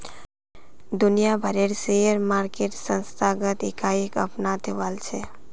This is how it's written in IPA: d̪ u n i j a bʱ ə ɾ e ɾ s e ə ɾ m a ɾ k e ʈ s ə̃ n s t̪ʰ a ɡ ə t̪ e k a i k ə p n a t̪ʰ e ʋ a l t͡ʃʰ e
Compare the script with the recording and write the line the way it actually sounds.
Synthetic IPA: d̪ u n i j a bʱ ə ɾ e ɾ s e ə ɾ m a ɾ k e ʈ s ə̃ n s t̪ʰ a ɡ ə t̪ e k a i k ə p n a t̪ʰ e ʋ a l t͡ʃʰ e